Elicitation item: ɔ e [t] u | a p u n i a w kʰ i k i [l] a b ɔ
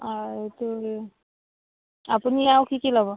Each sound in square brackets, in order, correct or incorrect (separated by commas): correct, correct